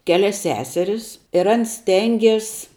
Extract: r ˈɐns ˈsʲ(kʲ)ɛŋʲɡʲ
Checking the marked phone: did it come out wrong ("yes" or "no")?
yes